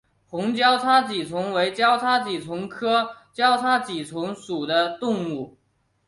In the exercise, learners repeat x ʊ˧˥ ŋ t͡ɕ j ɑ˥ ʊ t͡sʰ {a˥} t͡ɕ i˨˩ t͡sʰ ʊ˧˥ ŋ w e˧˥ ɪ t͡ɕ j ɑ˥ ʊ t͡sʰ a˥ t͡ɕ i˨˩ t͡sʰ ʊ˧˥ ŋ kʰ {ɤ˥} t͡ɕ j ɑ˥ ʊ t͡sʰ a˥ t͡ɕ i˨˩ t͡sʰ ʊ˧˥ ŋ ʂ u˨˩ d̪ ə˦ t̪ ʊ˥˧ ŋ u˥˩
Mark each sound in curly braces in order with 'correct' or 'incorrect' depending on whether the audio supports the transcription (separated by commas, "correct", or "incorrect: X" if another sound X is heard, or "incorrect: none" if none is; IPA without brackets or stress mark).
correct, correct